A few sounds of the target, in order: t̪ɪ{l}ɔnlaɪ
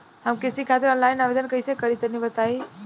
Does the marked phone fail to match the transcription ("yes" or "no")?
yes